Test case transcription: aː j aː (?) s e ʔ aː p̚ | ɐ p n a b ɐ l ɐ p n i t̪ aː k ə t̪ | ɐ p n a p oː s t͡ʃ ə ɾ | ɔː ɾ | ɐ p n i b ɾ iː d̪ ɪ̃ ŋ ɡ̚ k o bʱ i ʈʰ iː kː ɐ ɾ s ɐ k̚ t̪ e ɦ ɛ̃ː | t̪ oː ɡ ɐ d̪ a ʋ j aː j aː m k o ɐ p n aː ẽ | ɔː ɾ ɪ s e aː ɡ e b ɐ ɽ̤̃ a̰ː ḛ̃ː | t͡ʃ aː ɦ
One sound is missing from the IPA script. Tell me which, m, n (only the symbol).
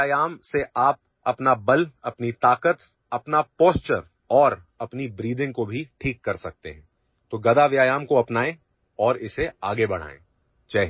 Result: m